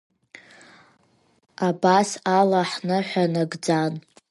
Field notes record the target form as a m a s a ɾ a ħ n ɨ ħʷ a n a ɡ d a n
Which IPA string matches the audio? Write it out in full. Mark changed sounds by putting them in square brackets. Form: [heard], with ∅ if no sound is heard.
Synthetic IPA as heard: a [b] a s a [l] a ħ n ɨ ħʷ a n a ɡ [d͡z] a n